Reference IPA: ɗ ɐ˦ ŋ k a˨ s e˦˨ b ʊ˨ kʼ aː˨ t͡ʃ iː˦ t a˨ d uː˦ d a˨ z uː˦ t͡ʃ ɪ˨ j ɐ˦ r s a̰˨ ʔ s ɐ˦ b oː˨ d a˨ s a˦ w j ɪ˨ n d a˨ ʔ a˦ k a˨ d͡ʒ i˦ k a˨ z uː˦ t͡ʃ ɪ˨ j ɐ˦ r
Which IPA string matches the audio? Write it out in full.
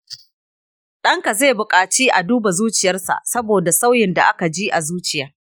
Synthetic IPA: ɗ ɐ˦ ŋ k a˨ z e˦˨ b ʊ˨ kʼ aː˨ t͡ʃ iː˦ ʔ a˨ d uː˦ b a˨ z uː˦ t͡ʃ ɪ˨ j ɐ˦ r s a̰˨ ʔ s ɐ˦ b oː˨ d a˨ s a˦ w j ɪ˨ n d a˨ ʔ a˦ k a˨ d͡ʒ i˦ ʔ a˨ z uː˦ t͡ʃ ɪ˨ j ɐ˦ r